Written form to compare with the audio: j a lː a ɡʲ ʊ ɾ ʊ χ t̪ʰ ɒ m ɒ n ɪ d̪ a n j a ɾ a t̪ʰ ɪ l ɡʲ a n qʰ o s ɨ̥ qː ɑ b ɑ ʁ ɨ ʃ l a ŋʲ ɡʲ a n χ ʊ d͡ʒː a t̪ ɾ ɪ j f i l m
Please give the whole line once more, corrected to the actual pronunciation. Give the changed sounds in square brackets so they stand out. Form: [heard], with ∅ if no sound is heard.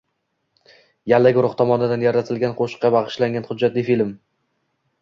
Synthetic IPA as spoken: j a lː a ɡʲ ʊ ɾ ʊ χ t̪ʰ ɒ m ɒ n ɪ d̪ a n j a ɾ a t̪ʰ ɪ l ɡʲ a n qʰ o [ʃ] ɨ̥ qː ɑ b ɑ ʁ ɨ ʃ l a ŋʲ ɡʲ a n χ ʊ d͡ʒː a t̪ [l] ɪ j f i l m

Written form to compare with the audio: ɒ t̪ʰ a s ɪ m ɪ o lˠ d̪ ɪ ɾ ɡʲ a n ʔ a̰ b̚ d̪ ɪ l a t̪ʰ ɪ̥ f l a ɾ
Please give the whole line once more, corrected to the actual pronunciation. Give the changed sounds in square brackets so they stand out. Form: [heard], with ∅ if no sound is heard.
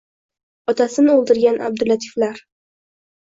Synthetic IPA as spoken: ɒ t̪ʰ a s ɪ [n] ɪ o lˠ d̪ ɪ ɾ ɡʲ a n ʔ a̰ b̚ d̪ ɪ l a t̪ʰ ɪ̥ f l a ɾ

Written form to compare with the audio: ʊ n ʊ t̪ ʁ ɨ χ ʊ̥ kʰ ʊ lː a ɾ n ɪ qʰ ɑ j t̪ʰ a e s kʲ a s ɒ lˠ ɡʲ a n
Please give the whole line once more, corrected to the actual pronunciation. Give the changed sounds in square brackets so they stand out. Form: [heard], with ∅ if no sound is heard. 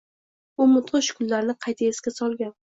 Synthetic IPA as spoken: ʊ [m] ʊ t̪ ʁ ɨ [ʃ] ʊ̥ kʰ ʊ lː a ɾ n ɪ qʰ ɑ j t̪ʰ a e s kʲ a s ɒ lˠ ɡʲ a n

